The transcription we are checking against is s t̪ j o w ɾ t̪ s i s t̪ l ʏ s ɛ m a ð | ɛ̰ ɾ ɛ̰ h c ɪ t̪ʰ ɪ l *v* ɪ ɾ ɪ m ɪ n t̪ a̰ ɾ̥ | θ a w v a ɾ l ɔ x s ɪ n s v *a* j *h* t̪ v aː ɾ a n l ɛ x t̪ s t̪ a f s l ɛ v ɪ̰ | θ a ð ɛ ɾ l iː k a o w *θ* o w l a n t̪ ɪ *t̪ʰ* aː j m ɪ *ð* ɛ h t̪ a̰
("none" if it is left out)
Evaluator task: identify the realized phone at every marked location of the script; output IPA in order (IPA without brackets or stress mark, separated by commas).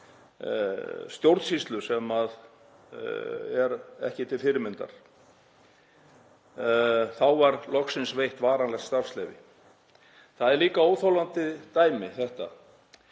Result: f, e, h, θ, t̪, θ